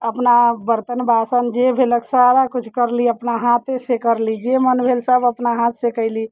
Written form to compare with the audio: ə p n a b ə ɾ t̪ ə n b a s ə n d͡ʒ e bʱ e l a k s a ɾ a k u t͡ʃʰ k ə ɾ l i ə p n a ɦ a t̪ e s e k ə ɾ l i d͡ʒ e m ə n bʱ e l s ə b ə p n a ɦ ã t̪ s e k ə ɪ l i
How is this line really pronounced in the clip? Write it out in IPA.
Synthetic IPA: ə p n a b ə ɾ t̪ ə n b a s ə n d͡ʒ e bʱ e l ə k s a ɾ a k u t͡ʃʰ k ə ɾ l i ə p n a ɦ a t̪ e s e k ə ɾ l i d͡ʒ e m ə n bʱ e l s ə b ə p n a ɦ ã t̪ s e k ə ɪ l i